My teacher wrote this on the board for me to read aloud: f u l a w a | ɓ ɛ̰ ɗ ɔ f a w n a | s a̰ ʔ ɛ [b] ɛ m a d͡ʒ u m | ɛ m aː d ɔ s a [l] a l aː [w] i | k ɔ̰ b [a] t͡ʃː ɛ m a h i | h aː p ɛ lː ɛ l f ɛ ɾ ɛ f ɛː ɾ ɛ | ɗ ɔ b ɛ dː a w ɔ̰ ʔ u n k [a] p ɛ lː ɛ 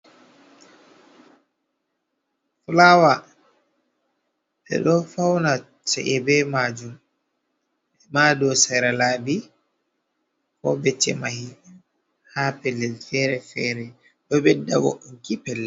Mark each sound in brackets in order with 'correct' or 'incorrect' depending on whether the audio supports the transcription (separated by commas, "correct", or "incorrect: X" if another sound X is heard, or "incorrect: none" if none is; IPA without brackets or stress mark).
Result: correct, incorrect: ɾ, incorrect: b, incorrect: ɛ, incorrect: i